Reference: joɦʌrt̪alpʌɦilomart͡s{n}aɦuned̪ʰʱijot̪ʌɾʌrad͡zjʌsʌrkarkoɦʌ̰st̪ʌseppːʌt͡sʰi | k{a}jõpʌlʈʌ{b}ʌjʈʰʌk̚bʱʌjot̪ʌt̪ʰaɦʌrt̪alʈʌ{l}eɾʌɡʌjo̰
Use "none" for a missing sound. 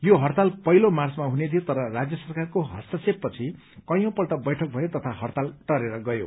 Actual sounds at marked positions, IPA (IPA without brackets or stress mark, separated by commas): m, ʌ, b, ɾ